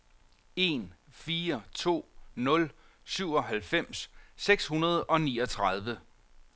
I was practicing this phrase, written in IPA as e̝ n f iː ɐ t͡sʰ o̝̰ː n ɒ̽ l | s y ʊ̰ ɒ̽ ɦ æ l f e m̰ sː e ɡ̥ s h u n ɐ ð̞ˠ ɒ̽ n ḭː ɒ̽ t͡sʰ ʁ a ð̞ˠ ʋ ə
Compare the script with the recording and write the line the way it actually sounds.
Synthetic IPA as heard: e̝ n f iː ɐ t͡sʰ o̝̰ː n ɔ̽ l | s y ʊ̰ ɒ̽ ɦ æ l f e m̰ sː e ɡ̥ s h u n ɐ ð̞ˠ ɒ̽ n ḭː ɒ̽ t͡sʰ ʁ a ð̞ˠ ʋ ə

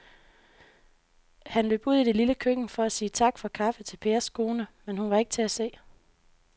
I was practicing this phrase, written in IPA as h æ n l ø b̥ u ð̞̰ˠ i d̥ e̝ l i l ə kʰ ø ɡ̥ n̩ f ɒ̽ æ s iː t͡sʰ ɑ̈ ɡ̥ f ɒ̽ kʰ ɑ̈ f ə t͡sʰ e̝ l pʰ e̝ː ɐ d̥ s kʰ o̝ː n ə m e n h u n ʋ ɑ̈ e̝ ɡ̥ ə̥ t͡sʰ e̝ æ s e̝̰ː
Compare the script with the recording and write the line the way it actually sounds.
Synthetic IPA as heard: h æ n l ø b̥ u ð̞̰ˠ i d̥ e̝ l i l ə kʰ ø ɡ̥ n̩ f ɒ̽ æ s iː t͡sʰ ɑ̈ ɡ̥ f ɒ̽ kʰ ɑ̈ f ə t͡sʰ e̝ l pʰ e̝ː ɐ s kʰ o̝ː n ə m e n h u n ʋ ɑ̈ e̝ ɡ̥ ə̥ t͡sʰ e̝ æ s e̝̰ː

